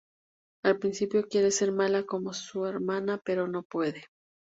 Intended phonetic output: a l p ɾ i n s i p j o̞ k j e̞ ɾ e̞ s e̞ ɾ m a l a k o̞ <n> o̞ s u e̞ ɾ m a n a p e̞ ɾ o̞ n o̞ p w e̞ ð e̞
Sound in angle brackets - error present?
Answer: yes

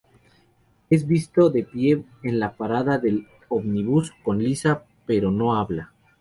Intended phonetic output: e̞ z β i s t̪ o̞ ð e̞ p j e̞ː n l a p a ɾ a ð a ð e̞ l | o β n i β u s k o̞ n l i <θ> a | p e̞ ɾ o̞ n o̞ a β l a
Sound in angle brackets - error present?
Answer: yes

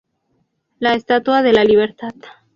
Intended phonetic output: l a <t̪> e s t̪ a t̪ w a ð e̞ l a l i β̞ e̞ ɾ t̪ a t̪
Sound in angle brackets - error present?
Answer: yes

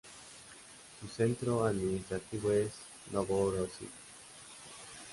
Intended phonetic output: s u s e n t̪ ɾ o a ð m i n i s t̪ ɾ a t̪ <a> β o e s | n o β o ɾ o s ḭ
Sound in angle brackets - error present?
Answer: yes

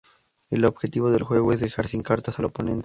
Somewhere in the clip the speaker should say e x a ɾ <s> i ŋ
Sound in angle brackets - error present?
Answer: no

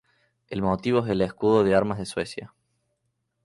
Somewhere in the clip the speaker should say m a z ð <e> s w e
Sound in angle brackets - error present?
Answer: no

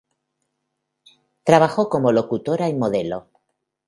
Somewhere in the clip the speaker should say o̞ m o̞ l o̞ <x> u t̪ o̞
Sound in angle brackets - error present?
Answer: yes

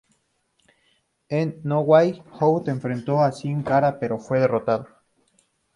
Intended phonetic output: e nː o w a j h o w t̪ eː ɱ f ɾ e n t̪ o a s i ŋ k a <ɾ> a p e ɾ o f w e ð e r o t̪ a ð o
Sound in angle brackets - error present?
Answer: no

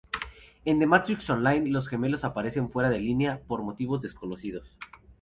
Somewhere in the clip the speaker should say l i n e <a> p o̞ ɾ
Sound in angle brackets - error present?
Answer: no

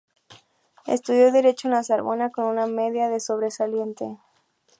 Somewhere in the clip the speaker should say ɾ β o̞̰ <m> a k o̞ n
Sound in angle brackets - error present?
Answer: yes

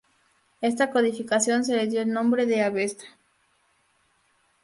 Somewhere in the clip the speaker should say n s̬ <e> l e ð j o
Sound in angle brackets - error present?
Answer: no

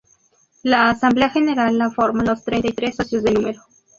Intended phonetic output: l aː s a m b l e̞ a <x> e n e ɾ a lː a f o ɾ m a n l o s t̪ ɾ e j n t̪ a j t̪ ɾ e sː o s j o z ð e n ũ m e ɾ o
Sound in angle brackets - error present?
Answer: no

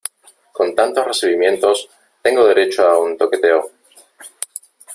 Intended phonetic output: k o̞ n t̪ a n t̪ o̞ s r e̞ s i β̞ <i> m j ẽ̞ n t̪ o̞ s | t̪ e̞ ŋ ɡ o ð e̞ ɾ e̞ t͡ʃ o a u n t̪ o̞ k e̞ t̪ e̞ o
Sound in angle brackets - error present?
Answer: no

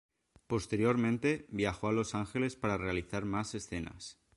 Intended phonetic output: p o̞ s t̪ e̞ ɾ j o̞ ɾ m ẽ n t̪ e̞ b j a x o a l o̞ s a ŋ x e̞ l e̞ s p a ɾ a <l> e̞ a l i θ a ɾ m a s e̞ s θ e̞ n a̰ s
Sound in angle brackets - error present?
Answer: yes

